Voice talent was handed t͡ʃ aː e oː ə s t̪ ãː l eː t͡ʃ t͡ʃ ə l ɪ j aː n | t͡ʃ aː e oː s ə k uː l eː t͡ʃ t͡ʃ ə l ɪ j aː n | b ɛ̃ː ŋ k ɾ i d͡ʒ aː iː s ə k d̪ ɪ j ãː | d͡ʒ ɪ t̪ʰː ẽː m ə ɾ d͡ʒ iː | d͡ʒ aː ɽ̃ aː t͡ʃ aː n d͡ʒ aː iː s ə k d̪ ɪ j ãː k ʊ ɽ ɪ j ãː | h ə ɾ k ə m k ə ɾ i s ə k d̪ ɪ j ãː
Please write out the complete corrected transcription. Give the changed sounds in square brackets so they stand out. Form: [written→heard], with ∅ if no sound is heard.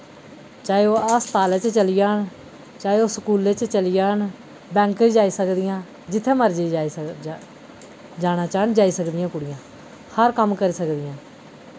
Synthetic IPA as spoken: t͡ʃ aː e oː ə s t̪ [ãː→aː] l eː t͡ʃ t͡ʃ ə l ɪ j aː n | t͡ʃ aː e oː s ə k uː l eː t͡ʃ t͡ʃ ə l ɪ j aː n | b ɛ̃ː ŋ k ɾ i d͡ʒ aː iː s ə k d̪ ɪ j ãː | d͡ʒ ɪ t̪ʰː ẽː m ə ɾ d͡ʒ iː | d͡ʒ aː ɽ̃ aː t͡ʃ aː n d͡ʒ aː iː s ə k d̪ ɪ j ãː k ʊ ɽ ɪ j ãː | h ə ɾ k ə m k ə ɾ [i→iː] s ə k d̪ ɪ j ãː